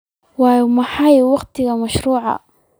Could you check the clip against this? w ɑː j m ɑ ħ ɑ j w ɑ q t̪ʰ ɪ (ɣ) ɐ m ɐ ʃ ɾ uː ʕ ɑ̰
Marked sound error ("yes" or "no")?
no